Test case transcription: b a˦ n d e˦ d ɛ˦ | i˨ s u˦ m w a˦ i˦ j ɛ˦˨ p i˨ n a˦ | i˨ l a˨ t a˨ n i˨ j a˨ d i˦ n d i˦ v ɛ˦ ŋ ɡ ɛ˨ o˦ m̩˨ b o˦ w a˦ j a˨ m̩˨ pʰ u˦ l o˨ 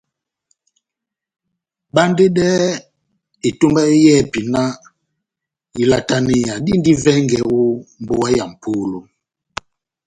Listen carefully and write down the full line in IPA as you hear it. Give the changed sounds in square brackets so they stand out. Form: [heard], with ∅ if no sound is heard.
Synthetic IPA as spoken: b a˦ n d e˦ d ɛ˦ | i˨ [t] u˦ m [b] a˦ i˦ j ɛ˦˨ p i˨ n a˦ | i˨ l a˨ t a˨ n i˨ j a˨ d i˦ n d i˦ v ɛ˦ ŋ ɡ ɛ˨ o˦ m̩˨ b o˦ w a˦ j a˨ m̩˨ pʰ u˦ l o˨

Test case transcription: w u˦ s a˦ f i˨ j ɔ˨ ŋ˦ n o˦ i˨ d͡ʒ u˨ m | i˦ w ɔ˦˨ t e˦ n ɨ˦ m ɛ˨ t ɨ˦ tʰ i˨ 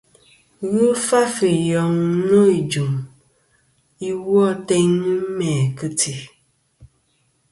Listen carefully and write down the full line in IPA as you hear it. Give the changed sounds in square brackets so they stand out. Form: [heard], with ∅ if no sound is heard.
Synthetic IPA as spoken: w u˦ [f] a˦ f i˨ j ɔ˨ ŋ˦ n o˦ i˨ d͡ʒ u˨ m | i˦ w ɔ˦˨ t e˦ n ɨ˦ m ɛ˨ [k] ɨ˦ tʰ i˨

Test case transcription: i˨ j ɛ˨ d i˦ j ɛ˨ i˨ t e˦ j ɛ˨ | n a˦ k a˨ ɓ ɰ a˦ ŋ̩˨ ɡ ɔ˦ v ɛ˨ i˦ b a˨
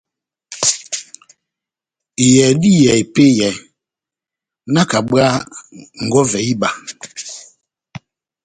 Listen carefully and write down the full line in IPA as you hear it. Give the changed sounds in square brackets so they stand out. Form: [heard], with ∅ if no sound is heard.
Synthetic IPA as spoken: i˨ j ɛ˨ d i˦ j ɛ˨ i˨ [p] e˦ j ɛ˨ | n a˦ k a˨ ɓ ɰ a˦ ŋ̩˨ ɡ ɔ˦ v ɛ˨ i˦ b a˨

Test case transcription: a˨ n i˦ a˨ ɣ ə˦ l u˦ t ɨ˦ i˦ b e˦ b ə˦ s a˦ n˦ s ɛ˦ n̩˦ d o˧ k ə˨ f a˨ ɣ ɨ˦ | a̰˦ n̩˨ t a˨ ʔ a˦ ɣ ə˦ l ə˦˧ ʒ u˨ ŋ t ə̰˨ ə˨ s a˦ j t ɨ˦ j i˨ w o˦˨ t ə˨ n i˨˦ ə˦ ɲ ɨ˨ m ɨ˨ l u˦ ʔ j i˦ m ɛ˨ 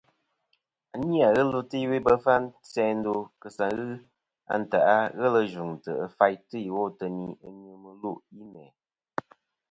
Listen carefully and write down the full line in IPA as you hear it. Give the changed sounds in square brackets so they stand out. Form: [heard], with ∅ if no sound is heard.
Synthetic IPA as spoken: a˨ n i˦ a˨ ɣ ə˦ l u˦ t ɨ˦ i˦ [w] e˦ b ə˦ [f] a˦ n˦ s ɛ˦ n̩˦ d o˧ k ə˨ [s] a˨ ɣ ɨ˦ | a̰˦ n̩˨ t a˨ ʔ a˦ ɣ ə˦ l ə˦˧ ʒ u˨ ŋ t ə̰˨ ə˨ [f] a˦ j t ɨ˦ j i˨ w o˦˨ t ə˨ n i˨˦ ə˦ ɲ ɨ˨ m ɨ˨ l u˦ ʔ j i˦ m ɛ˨

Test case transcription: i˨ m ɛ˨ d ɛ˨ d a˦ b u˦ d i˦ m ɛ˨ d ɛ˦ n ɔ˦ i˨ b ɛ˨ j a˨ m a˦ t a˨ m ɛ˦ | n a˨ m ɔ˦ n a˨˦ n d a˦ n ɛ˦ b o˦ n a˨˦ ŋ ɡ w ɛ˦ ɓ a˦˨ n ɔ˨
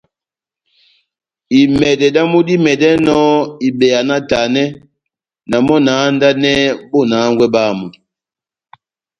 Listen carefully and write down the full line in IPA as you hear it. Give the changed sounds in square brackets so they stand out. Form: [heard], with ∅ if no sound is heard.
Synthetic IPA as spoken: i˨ m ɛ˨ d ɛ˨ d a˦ [m] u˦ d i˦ m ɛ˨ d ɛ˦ n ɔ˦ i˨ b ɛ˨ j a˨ [n] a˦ t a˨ [n] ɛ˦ | n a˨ m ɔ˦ n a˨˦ n d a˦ n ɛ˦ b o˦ n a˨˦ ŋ ɡ w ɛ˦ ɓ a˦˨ [m] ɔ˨

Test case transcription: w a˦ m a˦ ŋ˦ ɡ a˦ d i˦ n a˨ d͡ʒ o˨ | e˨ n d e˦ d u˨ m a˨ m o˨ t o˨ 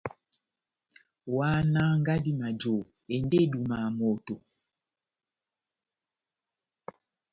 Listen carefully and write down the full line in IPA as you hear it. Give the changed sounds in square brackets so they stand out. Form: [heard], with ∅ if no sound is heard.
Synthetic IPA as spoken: w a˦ [n] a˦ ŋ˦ ɡ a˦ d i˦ [m] a˨ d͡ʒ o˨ | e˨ n d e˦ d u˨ m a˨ m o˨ t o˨

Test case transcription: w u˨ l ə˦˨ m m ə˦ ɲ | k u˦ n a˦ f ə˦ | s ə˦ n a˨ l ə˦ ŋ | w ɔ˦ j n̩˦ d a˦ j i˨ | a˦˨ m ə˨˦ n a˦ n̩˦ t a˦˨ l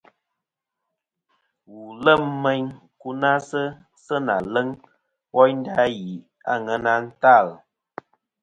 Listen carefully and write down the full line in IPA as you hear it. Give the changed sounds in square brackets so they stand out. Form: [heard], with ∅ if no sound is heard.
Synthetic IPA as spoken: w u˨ l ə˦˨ m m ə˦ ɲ | k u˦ n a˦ [s] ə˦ | s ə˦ n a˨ l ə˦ ŋ | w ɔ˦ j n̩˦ d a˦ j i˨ | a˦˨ [ŋ] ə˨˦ n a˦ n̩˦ t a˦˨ l

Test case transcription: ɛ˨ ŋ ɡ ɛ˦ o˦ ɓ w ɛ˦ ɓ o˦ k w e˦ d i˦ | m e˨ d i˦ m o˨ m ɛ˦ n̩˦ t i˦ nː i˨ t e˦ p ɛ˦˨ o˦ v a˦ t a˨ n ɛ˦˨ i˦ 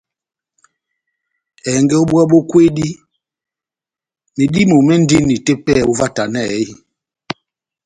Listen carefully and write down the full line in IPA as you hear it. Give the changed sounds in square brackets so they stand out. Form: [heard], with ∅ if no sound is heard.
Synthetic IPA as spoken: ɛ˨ ŋ ɡ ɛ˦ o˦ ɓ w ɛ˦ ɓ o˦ k w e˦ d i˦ | m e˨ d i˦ m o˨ m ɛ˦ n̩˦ [d] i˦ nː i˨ t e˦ p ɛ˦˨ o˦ v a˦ t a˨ n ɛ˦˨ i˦

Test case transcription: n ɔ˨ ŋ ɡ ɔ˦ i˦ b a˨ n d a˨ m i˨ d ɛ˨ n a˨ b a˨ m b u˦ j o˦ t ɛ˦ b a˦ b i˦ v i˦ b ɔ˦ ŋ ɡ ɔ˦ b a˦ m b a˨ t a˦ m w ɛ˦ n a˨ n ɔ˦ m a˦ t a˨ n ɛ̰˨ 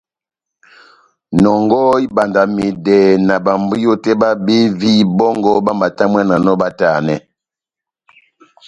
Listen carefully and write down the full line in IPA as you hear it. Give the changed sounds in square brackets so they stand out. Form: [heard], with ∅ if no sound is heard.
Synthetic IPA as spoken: n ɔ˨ ŋ ɡ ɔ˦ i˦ b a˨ n d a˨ m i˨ d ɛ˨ n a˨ b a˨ m b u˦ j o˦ t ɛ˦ b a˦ b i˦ v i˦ b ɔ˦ ŋ ɡ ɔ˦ b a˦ m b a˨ t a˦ m w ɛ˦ n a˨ n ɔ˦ [b] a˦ t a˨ n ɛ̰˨

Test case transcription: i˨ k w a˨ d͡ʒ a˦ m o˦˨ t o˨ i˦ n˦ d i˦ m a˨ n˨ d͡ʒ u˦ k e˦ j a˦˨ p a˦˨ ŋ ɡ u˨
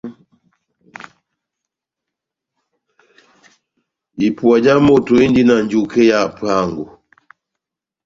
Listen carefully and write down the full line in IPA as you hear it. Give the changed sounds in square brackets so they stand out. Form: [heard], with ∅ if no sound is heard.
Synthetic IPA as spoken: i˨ [p] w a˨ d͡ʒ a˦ m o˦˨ t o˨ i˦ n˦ d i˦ [n] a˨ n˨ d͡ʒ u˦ k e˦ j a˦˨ p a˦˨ ŋ ɡ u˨

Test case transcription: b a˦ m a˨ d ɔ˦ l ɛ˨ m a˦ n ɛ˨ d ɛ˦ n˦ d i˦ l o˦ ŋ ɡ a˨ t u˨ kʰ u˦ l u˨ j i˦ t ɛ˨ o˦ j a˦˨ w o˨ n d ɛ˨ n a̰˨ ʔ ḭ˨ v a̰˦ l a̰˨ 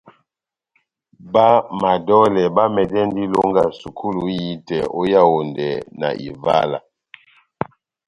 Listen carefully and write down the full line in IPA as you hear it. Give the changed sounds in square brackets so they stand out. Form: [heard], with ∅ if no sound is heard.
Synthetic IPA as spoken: b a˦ m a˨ d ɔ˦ l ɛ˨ [b] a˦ [m] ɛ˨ d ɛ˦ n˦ d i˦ l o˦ ŋ ɡ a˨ [s] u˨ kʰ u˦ l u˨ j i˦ t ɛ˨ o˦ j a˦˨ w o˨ n d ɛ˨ n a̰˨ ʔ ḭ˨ v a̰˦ l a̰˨

